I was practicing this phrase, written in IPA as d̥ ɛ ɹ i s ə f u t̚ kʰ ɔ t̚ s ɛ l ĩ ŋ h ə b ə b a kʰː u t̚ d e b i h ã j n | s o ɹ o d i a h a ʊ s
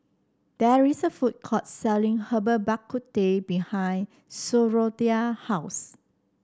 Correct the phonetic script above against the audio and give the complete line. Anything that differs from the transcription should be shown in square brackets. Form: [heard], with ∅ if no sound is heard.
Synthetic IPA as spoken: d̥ ɛ ɹ i s ə f u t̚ kʰ ɔ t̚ s ɛ l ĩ ŋ h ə b ə b a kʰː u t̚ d e b i h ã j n | s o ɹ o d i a h a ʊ s

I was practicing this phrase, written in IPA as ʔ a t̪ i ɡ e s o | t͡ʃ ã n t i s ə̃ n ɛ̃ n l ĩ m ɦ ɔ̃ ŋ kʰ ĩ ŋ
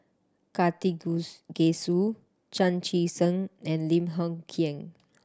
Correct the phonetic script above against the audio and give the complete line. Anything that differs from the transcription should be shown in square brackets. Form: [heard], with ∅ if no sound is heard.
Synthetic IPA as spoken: [k] a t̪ i ɡ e s [u] | t͡ʃ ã n [t͡ʃ] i s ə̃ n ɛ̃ n l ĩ m ɦ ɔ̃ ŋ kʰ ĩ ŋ

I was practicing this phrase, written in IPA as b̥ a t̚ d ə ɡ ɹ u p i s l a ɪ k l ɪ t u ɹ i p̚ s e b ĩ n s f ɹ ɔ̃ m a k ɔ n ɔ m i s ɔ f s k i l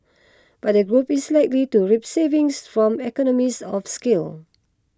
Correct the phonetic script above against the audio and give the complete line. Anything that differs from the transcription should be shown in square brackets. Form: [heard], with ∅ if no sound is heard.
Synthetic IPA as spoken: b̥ a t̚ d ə ɡ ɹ u p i s l a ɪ k l [i] t u ɹ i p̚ s e [v] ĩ [ŋ] s f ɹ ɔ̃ m [ɛ] k ɔ n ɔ m i s ɔ f s k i l

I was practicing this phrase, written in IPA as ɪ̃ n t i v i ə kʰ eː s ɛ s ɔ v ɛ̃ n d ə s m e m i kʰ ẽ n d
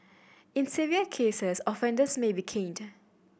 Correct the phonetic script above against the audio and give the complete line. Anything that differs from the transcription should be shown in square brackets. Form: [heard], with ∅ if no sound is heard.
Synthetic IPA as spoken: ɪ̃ n [s] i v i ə kʰ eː s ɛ s ɔ [f] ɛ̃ n d ə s m e [b] i kʰ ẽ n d

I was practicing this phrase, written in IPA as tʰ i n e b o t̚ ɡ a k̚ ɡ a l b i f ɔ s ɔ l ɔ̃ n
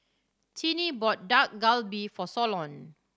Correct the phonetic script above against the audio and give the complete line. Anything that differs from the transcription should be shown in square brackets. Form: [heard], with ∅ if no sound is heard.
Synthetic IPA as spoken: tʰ i n [i] b [ɔ] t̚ [d] a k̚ ɡ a l b i f ɔ s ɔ l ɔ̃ n

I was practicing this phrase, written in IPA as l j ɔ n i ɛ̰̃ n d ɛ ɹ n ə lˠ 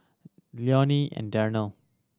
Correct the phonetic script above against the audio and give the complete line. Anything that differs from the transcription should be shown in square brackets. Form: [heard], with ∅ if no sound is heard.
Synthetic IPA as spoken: l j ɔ n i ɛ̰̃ n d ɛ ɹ n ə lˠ

